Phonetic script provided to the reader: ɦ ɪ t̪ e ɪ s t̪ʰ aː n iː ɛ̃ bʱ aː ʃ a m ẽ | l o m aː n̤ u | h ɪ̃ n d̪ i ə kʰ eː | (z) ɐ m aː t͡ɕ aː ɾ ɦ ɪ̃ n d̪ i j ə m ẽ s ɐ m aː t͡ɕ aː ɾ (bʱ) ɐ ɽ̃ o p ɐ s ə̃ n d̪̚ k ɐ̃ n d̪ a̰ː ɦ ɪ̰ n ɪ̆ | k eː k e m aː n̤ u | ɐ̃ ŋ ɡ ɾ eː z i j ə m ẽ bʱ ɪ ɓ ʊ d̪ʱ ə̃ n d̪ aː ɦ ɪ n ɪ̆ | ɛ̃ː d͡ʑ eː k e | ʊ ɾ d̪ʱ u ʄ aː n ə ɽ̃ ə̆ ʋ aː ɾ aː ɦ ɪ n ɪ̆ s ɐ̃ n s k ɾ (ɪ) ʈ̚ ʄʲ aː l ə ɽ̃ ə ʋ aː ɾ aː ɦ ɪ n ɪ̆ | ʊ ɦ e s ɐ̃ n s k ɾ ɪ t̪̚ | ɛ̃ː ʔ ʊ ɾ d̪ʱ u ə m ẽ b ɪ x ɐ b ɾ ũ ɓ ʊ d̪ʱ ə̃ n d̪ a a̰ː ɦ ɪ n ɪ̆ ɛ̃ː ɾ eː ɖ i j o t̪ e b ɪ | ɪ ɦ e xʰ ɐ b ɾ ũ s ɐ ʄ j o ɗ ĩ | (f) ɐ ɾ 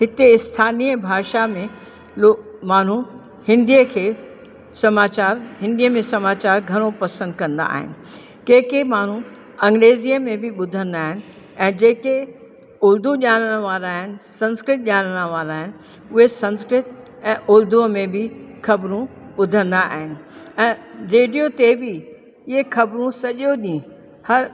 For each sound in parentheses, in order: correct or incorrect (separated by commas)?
incorrect, incorrect, correct, incorrect